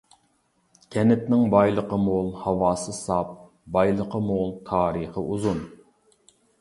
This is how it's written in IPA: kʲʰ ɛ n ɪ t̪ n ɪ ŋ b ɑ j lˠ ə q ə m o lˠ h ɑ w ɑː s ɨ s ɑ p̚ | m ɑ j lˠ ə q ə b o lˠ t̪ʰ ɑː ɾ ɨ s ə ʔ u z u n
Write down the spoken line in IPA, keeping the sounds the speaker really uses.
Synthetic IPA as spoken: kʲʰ ɛ n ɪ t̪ n ɪ ŋ b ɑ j lˠ ə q ə m o lˠ h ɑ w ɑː s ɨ s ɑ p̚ | b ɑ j lˠ ə q ə m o lˠ t̪ʰ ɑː ɾ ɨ χ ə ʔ u z u n